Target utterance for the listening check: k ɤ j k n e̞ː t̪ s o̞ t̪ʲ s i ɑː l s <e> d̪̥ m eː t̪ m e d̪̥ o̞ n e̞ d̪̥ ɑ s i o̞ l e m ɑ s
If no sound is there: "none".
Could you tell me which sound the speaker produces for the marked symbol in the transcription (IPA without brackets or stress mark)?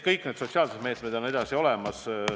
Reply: e